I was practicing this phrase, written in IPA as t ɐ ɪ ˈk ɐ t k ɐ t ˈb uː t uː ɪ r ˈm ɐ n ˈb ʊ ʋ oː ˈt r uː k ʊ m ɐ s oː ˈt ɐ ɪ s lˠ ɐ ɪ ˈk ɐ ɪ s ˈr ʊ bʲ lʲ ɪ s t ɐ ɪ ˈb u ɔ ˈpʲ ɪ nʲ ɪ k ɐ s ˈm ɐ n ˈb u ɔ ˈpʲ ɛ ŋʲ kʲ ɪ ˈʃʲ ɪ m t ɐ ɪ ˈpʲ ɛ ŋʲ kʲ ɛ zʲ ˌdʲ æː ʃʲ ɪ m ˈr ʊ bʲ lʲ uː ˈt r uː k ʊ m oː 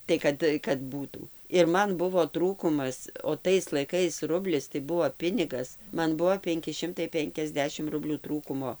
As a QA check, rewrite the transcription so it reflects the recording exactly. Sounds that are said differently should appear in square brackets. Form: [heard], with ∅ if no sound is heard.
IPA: t ɐ ɪ ˈk ɐ t k ɐ t ˈb uː t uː ɪ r ˈm ɐ n ˈb ʊ ʋ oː ˈt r uː k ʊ m ɐ s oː ˈt ɐ ɪ s lˠ ɐ ɪ ˈk ɐ ɪ s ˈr ʊ bʲ lʲ ɪ s t ɐ ɪ ˈb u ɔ ˈpʲ ɪ nʲ ɪ [ɡ] ɐ s ˈm ɐ n ˈb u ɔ ˈpʲ ɛ ŋʲ kʲ ɪ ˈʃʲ ɪ m t ɐ ɪ ˈpʲ ɛ ŋʲ kʲ ɛ zʲ ˌdʲ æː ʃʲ ɪ m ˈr ʊ bʲ lʲ uː ˈt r uː k ʊ m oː